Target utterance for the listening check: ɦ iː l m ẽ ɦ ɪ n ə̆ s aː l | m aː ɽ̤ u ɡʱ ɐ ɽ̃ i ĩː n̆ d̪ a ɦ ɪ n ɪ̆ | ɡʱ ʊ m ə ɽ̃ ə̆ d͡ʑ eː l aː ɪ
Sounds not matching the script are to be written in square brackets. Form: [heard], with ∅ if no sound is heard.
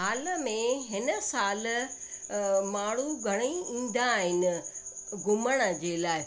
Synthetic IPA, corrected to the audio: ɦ [aː] l m ẽ ɦ ɪ n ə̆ s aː l | m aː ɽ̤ u ɡʱ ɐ ɽ̃ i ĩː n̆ d̪ a ɦ ɪ n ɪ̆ | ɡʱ ʊ m ə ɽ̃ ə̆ d͡ʑ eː l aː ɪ